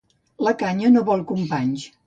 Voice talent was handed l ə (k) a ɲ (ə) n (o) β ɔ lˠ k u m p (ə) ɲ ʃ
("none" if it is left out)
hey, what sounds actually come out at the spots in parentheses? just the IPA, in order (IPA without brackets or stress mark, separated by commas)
k, ə, o, a